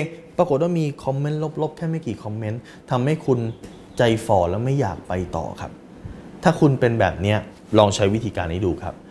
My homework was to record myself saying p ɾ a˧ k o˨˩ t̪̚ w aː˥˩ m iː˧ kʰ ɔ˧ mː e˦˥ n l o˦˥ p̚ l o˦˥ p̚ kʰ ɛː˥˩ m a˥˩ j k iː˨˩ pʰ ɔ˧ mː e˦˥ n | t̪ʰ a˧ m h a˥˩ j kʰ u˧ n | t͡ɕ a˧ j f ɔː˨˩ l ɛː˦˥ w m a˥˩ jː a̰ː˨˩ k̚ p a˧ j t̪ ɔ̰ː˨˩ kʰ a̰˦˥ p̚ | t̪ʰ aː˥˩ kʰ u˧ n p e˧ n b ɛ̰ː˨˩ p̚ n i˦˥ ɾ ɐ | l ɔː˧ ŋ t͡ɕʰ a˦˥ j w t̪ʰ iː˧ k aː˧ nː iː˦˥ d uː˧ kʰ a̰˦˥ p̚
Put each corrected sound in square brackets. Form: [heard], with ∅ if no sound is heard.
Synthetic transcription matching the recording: p ɾ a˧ k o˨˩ t̪̚ w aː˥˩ m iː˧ kʰ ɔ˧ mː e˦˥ n l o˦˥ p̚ l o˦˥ p̚ kʰ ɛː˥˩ m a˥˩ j k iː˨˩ [kʰ] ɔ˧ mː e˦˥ n | t̪ʰ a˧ m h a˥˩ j kʰ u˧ n | t͡ɕ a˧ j f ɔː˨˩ l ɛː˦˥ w m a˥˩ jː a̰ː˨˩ k̚ p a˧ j t̪ ɔ̰ː˨˩ kʰ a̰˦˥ p̚ | t̪ʰ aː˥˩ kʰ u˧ n p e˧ n b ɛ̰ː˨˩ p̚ n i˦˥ [∅] ɐ | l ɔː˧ ŋ t͡ɕʰ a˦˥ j w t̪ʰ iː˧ k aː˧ nː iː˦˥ d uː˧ kʰ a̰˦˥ p̚